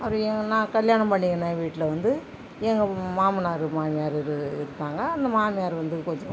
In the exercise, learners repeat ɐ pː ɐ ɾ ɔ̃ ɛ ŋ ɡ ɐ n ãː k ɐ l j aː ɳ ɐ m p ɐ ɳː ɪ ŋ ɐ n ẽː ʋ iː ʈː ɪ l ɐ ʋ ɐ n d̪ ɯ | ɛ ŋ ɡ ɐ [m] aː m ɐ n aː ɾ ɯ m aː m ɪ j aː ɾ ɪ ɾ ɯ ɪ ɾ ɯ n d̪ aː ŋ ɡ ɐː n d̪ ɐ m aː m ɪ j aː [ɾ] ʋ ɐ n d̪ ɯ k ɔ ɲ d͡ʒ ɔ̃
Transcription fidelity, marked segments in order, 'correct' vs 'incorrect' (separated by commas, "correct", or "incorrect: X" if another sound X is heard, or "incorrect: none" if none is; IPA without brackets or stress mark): correct, correct